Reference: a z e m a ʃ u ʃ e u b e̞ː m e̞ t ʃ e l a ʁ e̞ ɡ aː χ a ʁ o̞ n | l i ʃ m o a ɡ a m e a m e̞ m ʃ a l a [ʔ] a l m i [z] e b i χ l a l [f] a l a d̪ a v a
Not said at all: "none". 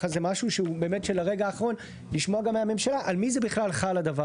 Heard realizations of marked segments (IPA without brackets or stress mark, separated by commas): ʔ, z, χ